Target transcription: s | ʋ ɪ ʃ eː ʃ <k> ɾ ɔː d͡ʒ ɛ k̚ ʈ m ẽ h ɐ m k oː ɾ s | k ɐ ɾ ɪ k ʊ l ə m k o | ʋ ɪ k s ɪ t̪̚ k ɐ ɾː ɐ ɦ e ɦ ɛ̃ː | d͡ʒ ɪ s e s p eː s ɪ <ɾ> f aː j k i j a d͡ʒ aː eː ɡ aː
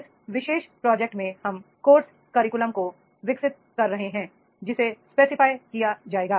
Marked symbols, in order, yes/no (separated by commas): no, no